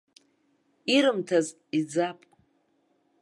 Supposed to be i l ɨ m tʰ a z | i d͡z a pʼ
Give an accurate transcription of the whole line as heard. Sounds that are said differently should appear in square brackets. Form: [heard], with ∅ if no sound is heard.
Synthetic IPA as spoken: i [ɾ] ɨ m tʰ a z | i d͡z a pʼ